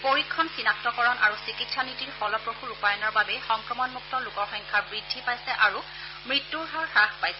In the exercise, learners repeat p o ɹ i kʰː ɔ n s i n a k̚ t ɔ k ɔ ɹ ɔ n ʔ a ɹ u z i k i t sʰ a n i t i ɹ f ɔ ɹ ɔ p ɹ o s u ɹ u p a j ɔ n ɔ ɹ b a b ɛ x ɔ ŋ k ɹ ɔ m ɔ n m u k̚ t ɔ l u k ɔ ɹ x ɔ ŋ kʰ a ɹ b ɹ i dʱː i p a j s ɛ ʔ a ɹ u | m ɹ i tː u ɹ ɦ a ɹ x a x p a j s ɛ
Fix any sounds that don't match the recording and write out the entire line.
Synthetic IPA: p o ɹ i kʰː ɔ n s i n a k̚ t ɔ k ɔ ɹ ɔ n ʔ a ɹ u s i k i t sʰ a n i t i ɹ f ɔ l ɔ p ɹ o x u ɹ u p a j ɔ n ɔ ɹ b a b ɛ x ɔ ŋ k ɹ ɔ m ɔ n m u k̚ t ɔ l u k ɔ ɹ x ɔ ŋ kʰ a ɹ b ɹ i dʱː i p a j s ɛ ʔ a ɹ u | m ɹ i tː u ɹ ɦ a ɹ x a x p a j s ɛ